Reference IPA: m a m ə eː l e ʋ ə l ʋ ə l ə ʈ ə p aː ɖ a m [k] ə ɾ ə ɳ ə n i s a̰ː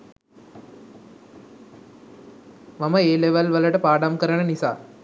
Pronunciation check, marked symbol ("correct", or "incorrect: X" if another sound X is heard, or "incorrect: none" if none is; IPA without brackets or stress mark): correct